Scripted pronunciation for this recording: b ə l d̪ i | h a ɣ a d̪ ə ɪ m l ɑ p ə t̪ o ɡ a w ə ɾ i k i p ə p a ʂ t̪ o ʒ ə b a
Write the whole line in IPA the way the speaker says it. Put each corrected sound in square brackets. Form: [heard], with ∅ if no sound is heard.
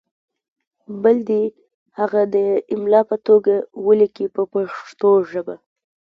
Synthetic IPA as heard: b ə l d̪ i | h a ɣ a d̪ ə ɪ m l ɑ p ə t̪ o ɡ a w ə [l] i k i p ə p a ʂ t̪ o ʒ ə b a